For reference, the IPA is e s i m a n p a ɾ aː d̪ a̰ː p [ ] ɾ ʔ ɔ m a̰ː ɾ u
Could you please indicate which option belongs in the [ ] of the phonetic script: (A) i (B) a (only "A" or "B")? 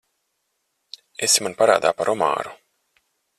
B